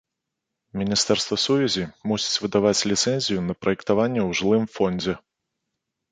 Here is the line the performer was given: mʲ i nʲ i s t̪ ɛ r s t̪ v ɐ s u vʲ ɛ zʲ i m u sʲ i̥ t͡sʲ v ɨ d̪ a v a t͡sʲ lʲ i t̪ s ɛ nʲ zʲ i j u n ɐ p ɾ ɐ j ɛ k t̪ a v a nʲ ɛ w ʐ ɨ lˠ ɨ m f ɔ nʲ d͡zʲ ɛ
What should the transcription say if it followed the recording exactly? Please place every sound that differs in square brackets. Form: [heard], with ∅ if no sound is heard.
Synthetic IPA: mʲ i nʲ i s t̪ ɛ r s t̪ v ɐ s u vʲ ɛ zʲ i m u sʲ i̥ t͡sʲ v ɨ d̪ a v a t͡sʲ lʲ i t̪ s ɛ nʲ zʲ i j u n ɐ p ɾ ɐ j ɛ k t̪ a v a [nʲː] ɛ w ʐ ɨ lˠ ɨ m f ɔ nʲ d͡zʲ ɛ